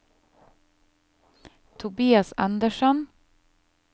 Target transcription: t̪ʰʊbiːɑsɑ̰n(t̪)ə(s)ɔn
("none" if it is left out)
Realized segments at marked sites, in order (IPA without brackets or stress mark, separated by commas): d̪, ʃ